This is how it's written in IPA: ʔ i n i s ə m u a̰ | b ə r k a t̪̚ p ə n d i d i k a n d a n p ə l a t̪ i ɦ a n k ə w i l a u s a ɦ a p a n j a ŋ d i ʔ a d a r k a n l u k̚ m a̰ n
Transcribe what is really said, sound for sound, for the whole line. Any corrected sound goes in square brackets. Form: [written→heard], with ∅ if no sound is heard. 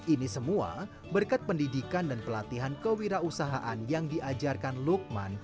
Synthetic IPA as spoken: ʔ i n i s ə m u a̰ | b ə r k a t̪̚ p ə n d i d i k a n d a n p ə l a t̪ i ɦ a n k ə w i [l→ɾ] a u s a ɦ a [p→ʔ] a n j a ŋ d i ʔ a [d→d͡ʒ] a r k a n l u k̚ m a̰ n